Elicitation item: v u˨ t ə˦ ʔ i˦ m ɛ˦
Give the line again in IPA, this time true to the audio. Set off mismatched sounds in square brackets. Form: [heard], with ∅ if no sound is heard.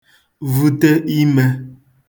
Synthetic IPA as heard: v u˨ t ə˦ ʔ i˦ m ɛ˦

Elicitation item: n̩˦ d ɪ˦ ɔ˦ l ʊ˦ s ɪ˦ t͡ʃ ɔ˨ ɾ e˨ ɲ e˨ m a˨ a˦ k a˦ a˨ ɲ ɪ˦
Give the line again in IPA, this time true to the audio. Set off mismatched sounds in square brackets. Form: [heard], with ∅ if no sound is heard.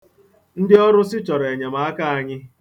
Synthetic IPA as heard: n̩˦ d ɪ˦ ɔ˦ [ɾ] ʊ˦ s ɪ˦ t͡ʃ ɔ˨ ɾ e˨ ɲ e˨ m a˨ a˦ k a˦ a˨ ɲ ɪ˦

